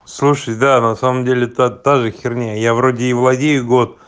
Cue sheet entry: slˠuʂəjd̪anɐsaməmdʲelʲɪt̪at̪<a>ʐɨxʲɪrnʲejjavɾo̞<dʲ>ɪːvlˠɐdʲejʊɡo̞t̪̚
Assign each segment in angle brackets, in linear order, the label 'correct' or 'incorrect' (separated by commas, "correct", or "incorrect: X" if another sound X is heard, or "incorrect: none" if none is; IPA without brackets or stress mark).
correct, correct